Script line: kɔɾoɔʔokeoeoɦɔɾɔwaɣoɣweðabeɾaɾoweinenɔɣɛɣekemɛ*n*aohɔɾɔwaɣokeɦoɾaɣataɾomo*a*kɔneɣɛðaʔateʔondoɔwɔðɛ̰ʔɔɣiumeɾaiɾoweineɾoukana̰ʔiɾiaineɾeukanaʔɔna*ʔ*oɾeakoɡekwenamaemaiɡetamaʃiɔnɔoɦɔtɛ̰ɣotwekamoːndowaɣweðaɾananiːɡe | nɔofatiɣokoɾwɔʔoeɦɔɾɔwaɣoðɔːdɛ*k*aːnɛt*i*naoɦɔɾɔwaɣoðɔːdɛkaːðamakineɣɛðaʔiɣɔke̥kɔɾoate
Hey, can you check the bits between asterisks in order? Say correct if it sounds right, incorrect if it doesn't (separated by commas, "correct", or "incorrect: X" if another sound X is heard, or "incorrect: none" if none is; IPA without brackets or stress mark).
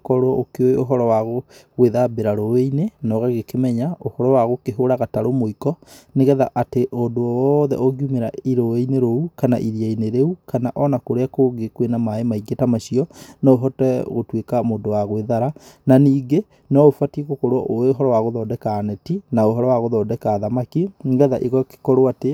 incorrect: ɲ, incorrect: i, incorrect: k, correct, correct